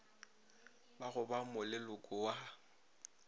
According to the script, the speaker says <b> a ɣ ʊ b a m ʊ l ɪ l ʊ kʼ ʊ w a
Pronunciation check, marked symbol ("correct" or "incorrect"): correct